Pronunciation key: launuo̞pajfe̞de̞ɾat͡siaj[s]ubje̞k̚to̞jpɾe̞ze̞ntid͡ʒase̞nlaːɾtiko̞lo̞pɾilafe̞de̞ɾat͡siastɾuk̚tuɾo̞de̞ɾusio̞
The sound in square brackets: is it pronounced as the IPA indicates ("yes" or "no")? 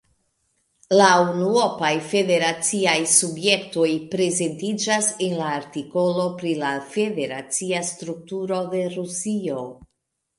yes